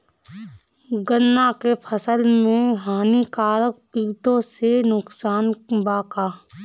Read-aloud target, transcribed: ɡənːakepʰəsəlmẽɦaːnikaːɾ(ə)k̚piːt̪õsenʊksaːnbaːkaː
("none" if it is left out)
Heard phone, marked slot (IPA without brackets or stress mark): ə